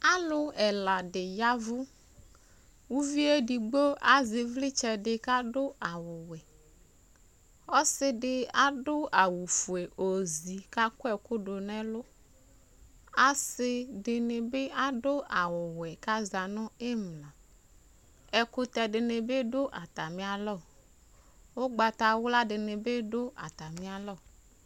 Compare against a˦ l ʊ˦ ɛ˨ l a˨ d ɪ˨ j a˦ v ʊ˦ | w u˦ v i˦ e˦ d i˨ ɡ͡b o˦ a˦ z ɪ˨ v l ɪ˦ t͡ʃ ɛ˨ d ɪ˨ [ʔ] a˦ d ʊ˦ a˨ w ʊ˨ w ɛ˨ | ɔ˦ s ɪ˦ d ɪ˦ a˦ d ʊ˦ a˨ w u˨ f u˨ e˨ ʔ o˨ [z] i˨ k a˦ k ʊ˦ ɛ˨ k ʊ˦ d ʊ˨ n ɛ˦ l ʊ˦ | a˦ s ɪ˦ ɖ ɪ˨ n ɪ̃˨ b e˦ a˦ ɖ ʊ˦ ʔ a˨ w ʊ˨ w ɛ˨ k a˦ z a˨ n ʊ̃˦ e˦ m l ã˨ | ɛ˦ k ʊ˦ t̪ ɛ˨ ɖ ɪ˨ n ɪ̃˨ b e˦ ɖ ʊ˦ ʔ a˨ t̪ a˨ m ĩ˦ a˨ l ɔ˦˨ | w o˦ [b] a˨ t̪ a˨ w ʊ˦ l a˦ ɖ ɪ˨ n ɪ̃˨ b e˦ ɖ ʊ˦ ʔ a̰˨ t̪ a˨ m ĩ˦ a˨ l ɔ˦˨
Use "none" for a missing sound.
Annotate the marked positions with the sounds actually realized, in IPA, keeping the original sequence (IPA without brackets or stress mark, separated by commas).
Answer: k, z, ɡ͡b